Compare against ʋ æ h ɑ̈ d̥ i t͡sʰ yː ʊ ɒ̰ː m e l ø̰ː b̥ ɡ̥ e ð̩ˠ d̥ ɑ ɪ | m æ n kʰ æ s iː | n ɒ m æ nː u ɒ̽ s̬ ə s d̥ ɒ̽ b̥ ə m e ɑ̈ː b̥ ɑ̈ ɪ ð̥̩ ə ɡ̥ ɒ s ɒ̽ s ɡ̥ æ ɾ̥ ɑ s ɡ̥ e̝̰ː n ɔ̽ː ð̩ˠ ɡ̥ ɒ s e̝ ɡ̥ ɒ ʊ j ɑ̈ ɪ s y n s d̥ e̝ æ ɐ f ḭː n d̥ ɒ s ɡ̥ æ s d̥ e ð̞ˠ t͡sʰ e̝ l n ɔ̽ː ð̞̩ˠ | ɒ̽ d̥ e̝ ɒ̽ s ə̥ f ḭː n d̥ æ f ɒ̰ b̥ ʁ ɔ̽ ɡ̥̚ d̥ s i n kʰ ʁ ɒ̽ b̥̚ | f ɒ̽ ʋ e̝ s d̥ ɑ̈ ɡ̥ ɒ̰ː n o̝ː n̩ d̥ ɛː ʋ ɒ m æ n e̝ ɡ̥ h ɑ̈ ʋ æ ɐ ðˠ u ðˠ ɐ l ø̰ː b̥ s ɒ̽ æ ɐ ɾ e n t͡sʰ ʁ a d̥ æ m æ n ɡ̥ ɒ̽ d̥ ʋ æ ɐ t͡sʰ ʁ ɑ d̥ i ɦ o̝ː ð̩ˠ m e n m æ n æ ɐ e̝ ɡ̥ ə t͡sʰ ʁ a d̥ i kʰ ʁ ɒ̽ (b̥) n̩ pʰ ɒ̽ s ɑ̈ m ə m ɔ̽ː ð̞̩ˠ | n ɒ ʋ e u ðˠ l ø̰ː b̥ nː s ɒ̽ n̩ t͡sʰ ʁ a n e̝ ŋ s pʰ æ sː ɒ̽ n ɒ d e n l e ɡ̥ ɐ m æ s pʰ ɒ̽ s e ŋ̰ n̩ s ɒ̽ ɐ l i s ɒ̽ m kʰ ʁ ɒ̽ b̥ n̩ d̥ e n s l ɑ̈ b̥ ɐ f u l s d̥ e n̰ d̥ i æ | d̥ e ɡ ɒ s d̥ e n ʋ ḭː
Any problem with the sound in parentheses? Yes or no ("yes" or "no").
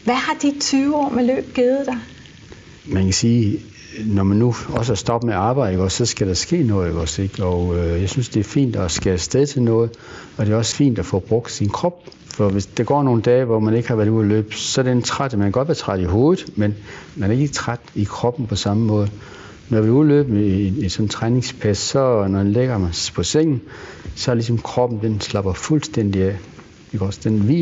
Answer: no